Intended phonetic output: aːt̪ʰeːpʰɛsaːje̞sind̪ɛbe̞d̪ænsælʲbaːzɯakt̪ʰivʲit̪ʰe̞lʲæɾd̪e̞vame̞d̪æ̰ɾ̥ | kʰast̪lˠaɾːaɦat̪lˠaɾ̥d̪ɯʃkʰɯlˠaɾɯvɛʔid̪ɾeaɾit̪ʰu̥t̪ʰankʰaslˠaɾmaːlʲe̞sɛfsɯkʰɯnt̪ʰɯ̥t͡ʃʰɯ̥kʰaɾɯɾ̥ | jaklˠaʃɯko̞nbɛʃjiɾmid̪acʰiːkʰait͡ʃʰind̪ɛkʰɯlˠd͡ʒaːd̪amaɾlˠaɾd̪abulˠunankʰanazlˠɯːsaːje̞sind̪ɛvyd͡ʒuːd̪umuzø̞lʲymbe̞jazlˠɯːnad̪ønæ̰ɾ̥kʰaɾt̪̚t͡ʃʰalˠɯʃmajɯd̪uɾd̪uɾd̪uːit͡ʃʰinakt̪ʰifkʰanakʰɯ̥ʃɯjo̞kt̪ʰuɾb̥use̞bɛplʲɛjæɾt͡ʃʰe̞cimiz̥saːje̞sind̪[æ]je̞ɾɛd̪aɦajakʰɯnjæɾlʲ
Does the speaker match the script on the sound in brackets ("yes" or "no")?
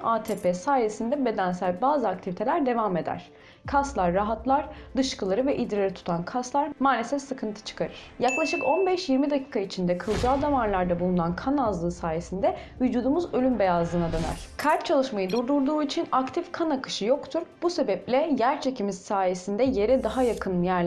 no